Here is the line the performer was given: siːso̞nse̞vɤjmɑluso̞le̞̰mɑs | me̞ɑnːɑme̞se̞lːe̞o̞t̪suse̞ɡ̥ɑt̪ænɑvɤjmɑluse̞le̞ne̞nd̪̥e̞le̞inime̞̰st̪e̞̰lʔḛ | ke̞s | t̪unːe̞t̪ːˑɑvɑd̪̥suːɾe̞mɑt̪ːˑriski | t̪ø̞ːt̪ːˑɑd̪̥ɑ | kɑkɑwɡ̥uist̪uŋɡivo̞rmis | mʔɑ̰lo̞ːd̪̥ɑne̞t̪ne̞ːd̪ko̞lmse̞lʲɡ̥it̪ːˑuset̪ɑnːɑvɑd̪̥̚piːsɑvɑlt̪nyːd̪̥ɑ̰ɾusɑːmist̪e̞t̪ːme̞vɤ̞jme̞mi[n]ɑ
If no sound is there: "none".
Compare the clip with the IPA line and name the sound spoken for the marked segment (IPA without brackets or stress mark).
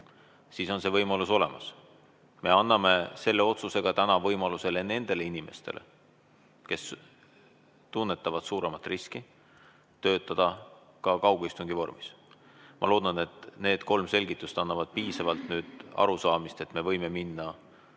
nː